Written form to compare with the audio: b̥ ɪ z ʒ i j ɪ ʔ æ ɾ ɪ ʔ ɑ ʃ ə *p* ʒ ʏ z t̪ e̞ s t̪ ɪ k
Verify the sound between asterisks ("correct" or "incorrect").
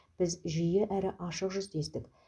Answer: incorrect